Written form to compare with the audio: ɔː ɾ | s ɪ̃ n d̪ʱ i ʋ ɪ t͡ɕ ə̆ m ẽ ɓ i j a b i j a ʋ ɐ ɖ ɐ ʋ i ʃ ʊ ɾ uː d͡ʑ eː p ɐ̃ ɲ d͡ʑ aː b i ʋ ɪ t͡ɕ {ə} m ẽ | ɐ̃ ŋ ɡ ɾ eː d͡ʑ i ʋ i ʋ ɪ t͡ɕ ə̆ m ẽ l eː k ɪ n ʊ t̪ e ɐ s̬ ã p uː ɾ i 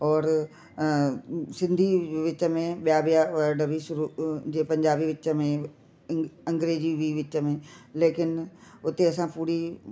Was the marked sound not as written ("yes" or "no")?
no